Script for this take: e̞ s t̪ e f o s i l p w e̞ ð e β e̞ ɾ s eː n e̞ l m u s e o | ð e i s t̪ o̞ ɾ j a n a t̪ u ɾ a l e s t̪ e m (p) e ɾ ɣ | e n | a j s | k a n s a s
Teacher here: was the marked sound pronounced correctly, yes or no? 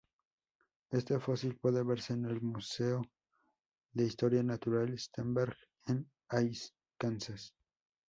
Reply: no